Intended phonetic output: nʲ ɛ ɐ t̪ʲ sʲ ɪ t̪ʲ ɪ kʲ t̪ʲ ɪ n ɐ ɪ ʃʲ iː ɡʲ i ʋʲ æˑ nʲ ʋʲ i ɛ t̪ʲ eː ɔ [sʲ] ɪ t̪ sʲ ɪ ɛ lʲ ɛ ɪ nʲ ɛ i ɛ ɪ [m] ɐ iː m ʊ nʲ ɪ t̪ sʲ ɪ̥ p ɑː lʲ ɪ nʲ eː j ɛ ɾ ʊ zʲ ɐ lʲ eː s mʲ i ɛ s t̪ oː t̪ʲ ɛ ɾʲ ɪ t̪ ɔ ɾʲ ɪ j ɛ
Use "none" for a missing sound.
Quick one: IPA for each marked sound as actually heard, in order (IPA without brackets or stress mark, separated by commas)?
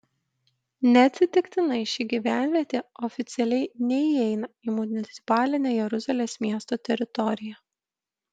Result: fʲ, n